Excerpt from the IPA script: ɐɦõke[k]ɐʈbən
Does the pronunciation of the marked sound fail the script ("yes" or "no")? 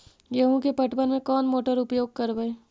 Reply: yes